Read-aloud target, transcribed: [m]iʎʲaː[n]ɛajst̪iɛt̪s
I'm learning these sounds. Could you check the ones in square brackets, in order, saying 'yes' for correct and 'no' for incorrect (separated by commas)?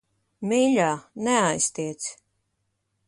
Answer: yes, yes